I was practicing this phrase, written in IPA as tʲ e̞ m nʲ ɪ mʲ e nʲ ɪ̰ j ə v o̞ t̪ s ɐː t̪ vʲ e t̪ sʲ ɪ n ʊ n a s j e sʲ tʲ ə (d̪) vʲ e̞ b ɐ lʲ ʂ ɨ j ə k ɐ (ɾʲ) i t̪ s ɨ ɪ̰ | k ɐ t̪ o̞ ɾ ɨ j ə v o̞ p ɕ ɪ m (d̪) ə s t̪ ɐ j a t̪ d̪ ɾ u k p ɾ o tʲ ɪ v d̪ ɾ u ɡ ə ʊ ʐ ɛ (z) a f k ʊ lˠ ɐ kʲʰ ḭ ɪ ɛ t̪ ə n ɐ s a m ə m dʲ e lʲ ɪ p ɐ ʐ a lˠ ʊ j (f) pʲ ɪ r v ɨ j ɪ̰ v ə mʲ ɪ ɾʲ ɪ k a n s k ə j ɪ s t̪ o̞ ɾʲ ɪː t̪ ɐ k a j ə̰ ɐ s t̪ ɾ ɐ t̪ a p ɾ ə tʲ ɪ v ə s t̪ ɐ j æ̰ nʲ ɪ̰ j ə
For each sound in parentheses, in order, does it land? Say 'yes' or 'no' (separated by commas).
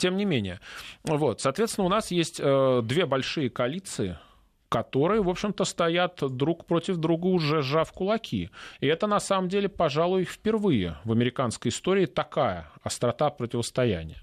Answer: yes, no, no, no, yes